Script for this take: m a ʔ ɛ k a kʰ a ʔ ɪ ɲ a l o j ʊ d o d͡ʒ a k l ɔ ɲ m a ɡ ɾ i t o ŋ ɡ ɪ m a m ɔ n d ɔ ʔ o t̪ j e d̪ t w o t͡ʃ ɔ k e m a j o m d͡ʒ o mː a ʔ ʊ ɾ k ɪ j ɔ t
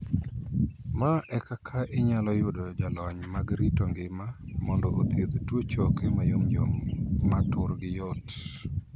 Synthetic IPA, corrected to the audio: m a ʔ ɛ k a kʰ a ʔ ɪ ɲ a l ɔ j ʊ d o d͡ʒ a l ɔ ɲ m a ɡ ɾ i t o ŋ ɡ ɪ m a m ɔ n d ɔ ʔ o t̪ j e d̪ t w o t͡ʃ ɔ k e m a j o m d͡ʒ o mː a t ʊ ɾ ɡ ɪ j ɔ t